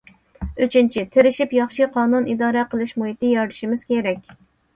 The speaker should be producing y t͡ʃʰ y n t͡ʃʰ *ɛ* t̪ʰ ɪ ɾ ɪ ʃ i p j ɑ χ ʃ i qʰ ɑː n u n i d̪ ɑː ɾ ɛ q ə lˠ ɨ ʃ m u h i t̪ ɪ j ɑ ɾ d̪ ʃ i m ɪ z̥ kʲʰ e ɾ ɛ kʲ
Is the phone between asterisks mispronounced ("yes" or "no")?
yes